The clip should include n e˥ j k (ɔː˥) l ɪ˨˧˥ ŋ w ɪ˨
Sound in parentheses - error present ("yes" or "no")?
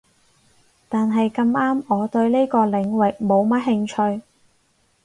yes